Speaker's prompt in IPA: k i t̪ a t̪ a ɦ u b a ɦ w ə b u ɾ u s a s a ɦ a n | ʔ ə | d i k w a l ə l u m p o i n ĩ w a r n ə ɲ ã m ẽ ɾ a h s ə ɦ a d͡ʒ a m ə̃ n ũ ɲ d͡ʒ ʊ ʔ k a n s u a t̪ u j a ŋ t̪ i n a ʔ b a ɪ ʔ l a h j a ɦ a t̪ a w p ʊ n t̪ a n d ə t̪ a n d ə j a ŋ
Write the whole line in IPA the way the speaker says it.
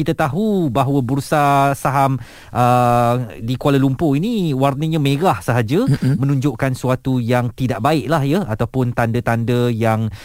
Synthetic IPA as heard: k i t̪ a t̪ a ɦ u b a ɦ w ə b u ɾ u s a s a ɦ a m | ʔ ə | d i k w a l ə l u m p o i n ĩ w a r n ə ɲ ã m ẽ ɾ a h s ə ɦ a d͡ʒ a m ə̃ n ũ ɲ d͡ʒ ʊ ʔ k a n s u a t̪ u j a ŋ t̪ i d a ʔ b a ɪ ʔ l a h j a a t̪ a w p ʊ n t̪ a n d ə t̪ a n d ə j a ŋ